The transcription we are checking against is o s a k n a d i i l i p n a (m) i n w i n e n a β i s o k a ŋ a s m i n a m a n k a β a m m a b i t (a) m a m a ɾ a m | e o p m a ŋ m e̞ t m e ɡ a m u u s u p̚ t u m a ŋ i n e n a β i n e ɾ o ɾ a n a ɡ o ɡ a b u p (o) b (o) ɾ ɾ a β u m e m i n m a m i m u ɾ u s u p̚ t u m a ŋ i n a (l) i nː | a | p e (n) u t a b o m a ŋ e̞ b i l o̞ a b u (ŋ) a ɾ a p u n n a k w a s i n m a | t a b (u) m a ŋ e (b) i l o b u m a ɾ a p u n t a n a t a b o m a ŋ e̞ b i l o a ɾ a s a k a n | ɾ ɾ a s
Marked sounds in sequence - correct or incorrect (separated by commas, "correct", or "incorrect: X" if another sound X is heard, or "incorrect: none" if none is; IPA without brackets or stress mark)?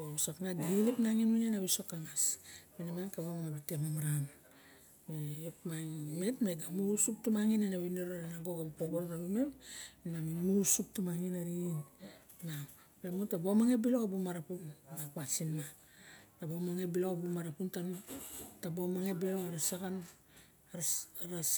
incorrect: ŋ, incorrect: e, correct, correct, incorrect: ɾ, incorrect: m, incorrect: m, incorrect: o, correct